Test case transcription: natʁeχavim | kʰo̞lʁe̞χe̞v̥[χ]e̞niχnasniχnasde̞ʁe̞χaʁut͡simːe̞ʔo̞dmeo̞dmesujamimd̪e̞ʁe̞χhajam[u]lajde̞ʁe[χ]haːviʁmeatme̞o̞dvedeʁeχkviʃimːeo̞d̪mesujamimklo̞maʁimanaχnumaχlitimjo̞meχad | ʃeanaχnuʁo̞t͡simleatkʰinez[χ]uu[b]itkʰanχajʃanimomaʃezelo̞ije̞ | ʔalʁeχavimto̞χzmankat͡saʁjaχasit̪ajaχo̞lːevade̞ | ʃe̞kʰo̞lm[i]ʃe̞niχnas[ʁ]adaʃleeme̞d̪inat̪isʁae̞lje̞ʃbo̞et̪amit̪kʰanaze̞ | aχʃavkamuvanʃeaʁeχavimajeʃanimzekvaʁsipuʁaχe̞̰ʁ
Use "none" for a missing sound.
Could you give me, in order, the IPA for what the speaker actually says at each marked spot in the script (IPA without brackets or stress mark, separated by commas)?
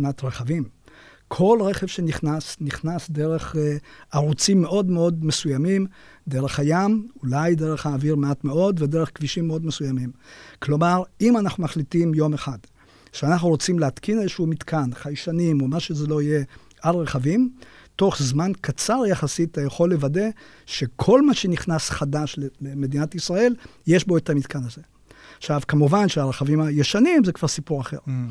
ʃ, u, χ, ʃ, m, a, χ